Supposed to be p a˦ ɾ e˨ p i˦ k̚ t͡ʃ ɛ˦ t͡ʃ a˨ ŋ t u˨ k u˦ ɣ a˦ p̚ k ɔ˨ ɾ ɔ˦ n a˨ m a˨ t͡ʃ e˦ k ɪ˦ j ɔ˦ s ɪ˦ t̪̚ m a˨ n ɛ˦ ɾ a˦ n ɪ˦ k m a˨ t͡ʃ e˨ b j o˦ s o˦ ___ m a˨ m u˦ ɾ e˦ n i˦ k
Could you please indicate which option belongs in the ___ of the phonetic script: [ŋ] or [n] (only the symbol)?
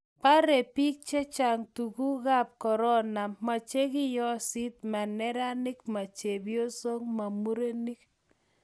ŋ